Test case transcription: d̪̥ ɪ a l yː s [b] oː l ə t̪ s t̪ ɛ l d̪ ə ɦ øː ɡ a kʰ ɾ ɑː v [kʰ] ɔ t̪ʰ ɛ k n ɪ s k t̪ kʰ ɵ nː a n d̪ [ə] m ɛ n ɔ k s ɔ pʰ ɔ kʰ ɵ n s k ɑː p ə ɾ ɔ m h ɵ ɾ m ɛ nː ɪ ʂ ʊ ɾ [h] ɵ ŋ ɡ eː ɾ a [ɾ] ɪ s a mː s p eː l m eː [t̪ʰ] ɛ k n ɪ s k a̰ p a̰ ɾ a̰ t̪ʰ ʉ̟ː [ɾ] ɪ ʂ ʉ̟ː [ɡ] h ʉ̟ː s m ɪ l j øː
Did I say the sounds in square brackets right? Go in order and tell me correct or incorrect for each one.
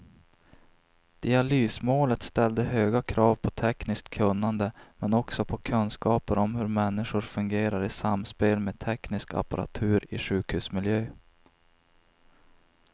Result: incorrect, incorrect, correct, incorrect, correct, correct, correct, incorrect

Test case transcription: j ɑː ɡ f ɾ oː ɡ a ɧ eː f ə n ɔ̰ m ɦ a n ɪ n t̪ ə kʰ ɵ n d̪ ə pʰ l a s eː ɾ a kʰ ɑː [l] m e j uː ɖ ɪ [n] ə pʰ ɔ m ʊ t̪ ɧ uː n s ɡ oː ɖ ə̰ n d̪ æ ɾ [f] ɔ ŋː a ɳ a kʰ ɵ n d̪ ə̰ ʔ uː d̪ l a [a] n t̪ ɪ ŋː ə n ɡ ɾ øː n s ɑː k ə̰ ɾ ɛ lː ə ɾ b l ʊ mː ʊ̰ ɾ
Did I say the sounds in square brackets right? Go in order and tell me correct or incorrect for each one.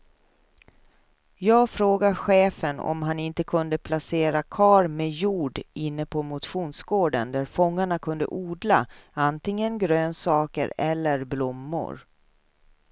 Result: incorrect, incorrect, correct, correct

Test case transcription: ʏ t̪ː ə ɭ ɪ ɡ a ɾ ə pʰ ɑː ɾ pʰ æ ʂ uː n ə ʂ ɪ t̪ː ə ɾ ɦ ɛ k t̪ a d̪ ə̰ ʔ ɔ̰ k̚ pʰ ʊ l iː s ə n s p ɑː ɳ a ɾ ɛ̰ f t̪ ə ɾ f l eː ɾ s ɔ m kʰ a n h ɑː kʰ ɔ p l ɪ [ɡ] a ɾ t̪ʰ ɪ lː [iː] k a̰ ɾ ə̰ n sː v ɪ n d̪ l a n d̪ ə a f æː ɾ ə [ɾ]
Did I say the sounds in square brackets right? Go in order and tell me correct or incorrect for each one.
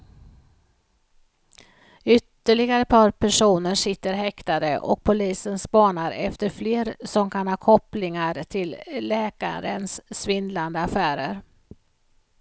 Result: incorrect, incorrect, correct

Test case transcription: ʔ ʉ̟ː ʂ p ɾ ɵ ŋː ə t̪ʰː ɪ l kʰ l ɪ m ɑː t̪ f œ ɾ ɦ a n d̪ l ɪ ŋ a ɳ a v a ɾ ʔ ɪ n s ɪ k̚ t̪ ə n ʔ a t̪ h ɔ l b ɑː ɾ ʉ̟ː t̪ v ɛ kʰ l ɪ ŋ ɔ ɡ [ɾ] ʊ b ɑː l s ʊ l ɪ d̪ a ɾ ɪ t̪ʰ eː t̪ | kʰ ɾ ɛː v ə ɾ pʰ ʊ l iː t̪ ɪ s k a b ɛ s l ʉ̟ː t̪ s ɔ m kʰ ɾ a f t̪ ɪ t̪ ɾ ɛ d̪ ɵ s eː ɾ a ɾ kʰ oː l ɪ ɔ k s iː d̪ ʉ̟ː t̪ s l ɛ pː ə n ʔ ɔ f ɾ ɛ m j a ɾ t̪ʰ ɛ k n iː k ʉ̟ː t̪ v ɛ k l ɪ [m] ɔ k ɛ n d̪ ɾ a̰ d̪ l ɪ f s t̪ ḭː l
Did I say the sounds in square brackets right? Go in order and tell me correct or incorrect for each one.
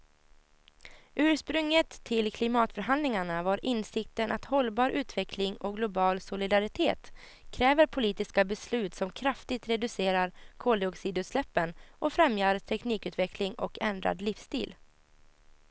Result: incorrect, incorrect

